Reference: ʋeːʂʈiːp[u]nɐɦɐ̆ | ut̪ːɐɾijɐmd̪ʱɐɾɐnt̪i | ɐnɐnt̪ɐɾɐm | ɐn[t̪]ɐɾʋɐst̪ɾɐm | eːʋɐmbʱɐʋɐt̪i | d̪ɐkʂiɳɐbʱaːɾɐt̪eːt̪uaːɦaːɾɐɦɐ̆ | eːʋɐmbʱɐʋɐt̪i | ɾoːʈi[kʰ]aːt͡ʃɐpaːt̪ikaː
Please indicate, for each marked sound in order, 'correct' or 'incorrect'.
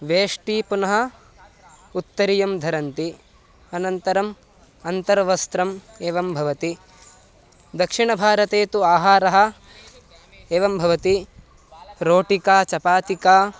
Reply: correct, correct, incorrect

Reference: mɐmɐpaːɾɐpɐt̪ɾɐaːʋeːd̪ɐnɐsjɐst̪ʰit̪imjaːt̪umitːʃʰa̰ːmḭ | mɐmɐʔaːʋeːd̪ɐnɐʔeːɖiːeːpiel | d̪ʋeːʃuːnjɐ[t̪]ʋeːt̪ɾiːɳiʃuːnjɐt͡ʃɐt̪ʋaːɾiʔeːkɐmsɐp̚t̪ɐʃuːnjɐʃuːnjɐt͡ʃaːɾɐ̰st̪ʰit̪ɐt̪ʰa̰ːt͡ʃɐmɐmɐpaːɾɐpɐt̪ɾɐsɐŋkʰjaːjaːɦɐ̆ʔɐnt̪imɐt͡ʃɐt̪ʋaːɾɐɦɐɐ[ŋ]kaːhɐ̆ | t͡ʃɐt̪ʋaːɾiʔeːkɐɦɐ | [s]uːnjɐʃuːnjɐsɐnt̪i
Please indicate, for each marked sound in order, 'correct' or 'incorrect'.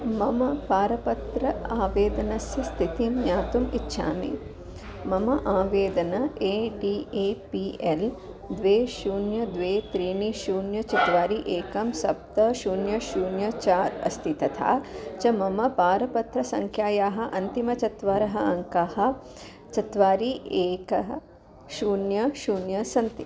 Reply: incorrect, correct, incorrect

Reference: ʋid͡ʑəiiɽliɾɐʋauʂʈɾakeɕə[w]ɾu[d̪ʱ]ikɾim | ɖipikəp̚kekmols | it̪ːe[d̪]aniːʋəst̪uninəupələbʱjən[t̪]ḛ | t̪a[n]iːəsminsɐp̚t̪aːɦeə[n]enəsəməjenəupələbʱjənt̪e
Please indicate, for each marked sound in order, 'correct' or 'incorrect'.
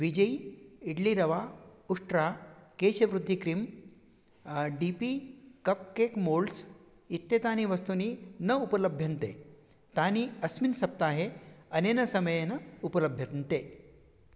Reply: incorrect, incorrect, incorrect, correct, correct, correct

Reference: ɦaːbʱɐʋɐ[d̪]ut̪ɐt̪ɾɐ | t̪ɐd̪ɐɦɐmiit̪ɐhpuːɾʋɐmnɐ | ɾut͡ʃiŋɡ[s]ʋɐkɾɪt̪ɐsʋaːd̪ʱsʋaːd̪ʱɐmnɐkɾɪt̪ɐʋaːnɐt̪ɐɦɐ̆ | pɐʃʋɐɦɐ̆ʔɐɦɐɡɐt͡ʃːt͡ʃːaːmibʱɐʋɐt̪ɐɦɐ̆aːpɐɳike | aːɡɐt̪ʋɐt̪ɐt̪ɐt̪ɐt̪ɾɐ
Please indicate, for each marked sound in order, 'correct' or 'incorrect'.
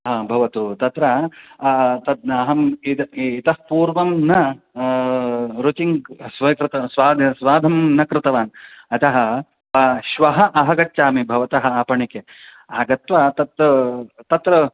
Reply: incorrect, correct

